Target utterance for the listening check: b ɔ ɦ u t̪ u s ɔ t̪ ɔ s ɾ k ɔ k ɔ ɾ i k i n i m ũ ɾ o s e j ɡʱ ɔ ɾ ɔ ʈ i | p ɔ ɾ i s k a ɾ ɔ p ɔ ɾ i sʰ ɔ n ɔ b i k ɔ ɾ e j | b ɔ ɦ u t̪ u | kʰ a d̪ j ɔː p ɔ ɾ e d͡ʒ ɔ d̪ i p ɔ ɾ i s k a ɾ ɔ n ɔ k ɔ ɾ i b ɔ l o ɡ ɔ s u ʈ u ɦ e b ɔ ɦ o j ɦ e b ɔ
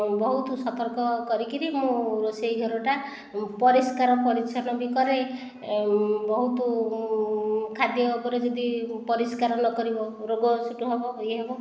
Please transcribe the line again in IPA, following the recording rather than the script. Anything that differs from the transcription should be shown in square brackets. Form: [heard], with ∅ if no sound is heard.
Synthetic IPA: b ɔ ɦ u t̪ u s ɔ t̪ ɔ [∅] ɾ k ɔ k ɔ ɾ i k i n i m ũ ɾ o s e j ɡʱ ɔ ɾ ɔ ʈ [a] | p ɔ ɾ i s k a ɾ ɔ p ɔ ɾ i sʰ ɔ n ɔ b i k ɔ ɾ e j | b ɔ ɦ u t̪ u | kʰ a d̪ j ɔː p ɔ ɾ e d͡ʒ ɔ d̪ i p ɔ ɾ i s k a ɾ ɔ n ɔ k ɔ ɾ i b ɔ [ɾ] o ɡ ɔ s u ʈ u ɦ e b ɔ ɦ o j ɦ e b ɔ

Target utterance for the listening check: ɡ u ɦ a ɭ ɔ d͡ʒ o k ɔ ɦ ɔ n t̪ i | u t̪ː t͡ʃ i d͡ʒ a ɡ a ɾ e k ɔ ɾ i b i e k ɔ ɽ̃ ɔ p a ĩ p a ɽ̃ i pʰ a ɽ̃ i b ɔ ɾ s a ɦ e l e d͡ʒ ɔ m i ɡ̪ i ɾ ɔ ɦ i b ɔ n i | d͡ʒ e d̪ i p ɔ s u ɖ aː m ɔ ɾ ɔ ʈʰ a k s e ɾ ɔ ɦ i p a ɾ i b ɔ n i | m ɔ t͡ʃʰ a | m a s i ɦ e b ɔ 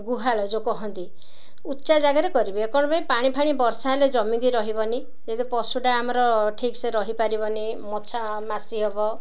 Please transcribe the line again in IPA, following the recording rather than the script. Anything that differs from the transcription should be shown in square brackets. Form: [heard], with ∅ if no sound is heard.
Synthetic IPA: ɡ u ɦ a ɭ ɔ d͡ʒ o k ɔ ɦ ɔ n t̪ i | u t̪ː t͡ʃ [a] d͡ʒ a ɡ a ɾ e k ɔ ɾ i b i e k ɔ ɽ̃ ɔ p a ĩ p a ɽ̃ i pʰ a ɽ̃ i b ɔ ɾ s a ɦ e l e d͡ʒ ɔ m i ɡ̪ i ɾ ɔ ɦ i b ɔ n i | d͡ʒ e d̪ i p ɔ s u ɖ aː m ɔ ɾ ɔ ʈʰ [i] k s e ɾ ɔ ɦ i p a ɾ i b ɔ n i | m ɔ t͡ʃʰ a | m a s i ɦ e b ɔ

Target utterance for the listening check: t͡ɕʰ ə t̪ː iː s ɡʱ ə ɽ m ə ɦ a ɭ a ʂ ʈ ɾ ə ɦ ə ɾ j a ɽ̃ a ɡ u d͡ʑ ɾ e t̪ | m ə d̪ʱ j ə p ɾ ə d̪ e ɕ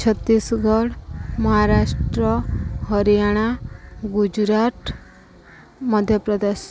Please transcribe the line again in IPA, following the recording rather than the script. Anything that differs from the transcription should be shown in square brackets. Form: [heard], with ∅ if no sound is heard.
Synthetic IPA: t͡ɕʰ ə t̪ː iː s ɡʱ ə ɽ m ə ɦ a [ɾ] a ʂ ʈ ɾ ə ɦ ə ɾ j a ɽ̃ a ɡ u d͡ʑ ɾ [a] t̪ | m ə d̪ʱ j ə p ɾ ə d̪ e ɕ

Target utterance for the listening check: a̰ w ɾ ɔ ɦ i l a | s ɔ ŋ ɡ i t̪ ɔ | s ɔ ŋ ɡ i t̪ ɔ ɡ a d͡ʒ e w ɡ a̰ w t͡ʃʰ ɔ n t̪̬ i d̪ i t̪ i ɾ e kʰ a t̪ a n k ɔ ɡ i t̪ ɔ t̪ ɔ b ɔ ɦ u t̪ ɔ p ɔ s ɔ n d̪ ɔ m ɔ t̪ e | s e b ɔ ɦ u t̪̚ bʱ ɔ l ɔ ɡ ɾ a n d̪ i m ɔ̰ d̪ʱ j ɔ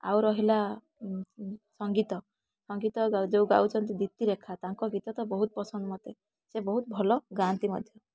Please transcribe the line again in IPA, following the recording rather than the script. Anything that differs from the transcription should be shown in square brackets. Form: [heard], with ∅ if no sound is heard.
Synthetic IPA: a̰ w ɾ ɔ ɦ i l a | s ɔ ŋ ɡ i t̪ ɔ | s ɔ ŋ ɡ i t̪ ɔ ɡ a d͡ʒ e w ɡ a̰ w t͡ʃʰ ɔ n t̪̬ i d̪ i t̪ i ɾ e kʰ a t̪ a [ŋ] k ɔ ɡ i t̪ ɔ t̪ ɔ b ɔ ɦ u t̪ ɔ p ɔ s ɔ n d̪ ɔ m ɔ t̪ e | s e b ɔ ɦ u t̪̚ bʱ ɔ l ɔ ɡ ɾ a n [t̪] i m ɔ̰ d̪ʱ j ɔ

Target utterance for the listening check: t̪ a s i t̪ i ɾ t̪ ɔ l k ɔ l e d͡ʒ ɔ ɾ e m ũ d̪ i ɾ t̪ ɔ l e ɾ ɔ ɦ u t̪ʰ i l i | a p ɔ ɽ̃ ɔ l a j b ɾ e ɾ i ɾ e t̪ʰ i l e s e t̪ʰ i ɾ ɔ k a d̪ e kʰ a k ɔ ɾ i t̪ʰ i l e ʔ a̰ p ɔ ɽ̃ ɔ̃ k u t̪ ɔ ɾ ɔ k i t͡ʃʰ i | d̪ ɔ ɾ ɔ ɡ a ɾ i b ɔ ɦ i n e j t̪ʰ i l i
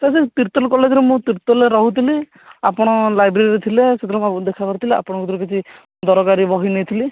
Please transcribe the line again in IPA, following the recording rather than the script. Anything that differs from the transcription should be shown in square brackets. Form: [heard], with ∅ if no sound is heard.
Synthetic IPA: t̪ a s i t̪ i ɾ t̪ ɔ l k ɔ l e d͡ʒ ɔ ɾ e m ũ [t̪] i ɾ t̪ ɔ l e ɾ ɔ ɦ u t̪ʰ i l i | a p ɔ ɽ̃ ɔ l a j b ɾ e ɾ i ɾ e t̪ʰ i l e s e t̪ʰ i ɾ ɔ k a d̪ e kʰ a k ɔ ɾ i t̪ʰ i l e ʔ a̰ p ɔ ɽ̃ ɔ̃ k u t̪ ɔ ɾ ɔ k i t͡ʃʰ i | d̪ ɔ ɾ ɔ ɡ a ɾ i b ɔ ɦ i n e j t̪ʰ i l i

